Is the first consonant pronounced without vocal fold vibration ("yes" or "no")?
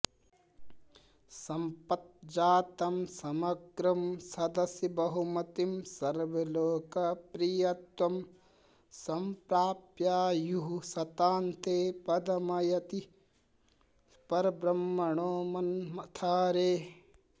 yes